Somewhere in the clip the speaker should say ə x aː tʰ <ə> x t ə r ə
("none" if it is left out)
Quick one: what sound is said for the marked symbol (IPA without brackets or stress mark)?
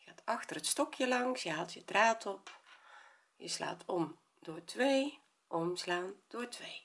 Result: ɑ